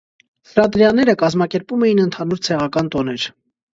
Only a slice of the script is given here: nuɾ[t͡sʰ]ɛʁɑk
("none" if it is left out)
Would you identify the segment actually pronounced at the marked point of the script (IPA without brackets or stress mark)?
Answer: t͡sʰ